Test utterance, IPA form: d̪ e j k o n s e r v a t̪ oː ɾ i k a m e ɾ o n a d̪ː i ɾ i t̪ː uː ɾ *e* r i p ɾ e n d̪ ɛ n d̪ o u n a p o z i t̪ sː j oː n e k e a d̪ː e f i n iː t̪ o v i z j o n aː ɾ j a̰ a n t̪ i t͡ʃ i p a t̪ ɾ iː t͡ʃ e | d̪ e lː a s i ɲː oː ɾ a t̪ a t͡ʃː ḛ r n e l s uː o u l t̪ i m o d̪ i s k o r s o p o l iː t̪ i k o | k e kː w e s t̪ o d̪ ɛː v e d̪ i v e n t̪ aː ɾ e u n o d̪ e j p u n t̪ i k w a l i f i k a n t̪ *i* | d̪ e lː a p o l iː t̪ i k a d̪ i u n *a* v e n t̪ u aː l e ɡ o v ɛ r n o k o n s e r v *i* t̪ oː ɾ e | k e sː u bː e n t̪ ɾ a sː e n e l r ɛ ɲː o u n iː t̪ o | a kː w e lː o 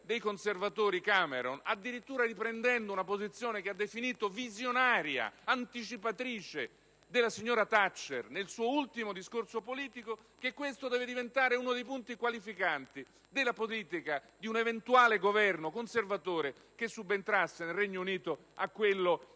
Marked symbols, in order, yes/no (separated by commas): no, yes, no, no